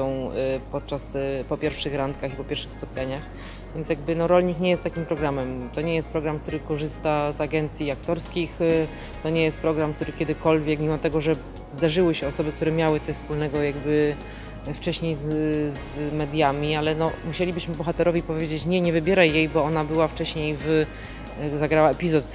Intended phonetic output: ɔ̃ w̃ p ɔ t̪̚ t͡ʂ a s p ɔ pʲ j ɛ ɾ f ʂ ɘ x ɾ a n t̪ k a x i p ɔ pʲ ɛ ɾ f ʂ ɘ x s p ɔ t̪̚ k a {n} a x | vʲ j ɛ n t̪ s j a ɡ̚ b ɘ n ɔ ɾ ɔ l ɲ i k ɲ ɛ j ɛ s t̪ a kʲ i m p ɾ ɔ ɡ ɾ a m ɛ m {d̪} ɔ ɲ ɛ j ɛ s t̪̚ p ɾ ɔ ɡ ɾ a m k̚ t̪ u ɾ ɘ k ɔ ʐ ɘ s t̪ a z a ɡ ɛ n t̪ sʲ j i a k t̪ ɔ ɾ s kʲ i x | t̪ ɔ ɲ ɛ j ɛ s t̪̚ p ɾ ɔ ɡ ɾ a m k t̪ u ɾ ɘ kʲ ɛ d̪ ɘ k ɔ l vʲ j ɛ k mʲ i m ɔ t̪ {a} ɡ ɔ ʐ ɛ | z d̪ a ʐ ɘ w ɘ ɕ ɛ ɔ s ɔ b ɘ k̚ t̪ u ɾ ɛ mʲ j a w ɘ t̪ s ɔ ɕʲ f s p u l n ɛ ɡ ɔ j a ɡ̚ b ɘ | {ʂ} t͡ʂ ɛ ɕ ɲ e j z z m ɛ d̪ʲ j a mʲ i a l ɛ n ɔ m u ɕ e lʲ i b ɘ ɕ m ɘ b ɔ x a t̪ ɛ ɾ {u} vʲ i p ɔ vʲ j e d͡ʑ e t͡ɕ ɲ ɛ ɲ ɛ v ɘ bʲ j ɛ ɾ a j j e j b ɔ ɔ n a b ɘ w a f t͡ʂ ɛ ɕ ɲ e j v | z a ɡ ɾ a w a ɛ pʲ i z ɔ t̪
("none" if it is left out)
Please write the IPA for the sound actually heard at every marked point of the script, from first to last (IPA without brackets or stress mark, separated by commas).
ɲ, t̪, ɛ, f, ɔ